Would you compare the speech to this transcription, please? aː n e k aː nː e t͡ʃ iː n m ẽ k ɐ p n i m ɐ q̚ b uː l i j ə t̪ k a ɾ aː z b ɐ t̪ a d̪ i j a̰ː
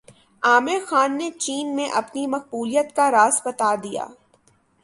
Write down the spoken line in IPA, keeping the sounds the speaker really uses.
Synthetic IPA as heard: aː m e x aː nː e t͡ʃ iː n m ẽ ʔ ɐ p n i m ɐ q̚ b uː l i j ə t̪ k a ɾ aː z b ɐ t̪ a d̪ i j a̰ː